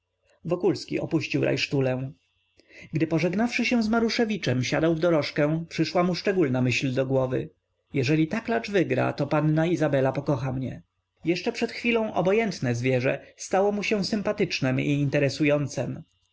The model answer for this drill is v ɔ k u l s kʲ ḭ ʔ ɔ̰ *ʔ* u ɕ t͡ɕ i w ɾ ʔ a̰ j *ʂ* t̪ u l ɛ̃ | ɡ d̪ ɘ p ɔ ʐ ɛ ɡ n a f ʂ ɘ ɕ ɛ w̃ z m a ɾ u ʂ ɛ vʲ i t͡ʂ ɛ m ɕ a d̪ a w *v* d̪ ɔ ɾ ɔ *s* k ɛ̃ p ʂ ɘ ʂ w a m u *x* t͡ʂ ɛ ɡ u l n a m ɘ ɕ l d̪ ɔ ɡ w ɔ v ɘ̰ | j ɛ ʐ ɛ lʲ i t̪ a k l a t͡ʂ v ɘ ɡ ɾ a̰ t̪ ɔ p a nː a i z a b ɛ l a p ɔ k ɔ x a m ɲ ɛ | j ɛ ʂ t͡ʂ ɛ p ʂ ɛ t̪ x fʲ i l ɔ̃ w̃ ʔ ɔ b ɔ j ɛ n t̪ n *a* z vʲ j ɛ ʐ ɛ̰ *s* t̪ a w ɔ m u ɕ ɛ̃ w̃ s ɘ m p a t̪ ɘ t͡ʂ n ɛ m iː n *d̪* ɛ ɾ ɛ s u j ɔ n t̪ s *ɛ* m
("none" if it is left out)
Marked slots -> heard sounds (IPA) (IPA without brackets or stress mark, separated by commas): p, ʂ, v, ʂ, ʂ, ɛ, s, t̪, ɛ